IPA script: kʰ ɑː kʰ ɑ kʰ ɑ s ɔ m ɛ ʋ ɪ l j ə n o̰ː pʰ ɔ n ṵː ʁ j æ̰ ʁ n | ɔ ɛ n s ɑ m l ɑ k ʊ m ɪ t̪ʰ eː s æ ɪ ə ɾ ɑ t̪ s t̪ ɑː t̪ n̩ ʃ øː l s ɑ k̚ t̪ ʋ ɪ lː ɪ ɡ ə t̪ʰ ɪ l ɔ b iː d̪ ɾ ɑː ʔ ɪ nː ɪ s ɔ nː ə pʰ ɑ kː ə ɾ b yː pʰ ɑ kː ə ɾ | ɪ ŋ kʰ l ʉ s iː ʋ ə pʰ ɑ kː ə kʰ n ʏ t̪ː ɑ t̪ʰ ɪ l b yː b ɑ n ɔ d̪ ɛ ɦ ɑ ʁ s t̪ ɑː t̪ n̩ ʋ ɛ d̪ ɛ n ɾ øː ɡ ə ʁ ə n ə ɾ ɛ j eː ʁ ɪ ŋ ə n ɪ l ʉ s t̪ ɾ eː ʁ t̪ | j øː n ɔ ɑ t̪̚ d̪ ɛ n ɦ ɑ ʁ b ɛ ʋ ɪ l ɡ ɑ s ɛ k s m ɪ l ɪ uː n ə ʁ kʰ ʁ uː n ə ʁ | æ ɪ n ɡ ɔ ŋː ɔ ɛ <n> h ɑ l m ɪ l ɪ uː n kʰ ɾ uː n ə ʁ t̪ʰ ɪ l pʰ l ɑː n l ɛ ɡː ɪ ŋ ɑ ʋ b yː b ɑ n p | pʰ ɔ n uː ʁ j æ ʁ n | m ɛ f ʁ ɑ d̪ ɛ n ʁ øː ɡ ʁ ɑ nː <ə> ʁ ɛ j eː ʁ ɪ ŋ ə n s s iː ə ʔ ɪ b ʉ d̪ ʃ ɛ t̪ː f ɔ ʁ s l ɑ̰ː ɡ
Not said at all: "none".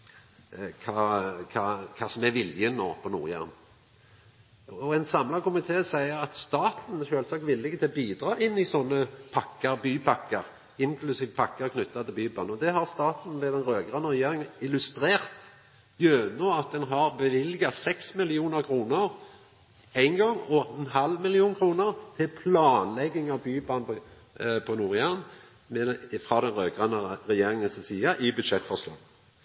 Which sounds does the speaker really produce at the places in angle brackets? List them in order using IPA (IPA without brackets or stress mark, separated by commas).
n, ə